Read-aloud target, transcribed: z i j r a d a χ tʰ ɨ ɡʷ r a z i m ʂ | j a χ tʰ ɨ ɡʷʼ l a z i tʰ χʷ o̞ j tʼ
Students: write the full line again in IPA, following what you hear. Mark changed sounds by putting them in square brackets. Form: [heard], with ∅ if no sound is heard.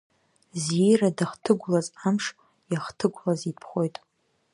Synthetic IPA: z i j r a d a χ tʰ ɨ ɡʷ [l] a z [a] m ʂ | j a χ tʰ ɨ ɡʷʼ l a z i [pʰ] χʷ o̞ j tʼ